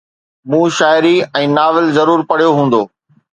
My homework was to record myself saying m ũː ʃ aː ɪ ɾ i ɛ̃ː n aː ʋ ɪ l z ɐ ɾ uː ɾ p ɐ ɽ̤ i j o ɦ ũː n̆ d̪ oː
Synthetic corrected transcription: m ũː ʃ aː ɪ ɾ i ɛ̃ː n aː ʋ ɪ l z ɐ ɾ uː ɾ p ɐ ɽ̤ i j o ɦ ũː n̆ d̪ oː